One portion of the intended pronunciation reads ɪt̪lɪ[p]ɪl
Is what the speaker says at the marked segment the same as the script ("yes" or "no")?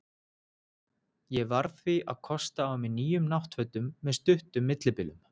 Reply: yes